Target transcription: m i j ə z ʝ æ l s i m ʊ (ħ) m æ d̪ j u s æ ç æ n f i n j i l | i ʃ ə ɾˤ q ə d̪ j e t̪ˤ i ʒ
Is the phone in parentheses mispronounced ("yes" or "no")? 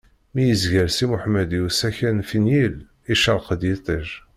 no